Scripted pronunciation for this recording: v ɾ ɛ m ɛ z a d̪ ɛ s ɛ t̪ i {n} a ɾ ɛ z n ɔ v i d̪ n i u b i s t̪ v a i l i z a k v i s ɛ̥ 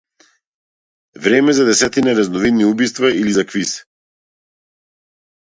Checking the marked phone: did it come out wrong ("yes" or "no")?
no